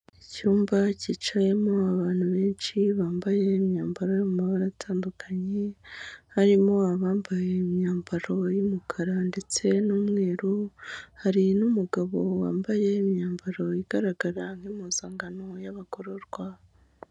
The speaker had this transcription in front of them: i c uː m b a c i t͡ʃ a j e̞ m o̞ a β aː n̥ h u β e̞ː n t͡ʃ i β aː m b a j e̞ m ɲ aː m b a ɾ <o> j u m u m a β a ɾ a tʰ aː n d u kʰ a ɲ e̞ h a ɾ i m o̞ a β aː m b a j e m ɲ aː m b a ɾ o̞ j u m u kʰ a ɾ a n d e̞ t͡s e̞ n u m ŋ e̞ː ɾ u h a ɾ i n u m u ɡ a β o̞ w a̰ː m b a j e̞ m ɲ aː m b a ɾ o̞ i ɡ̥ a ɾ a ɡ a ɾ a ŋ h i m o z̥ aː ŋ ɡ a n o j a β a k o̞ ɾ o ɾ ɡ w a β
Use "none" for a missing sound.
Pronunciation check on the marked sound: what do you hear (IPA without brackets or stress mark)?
o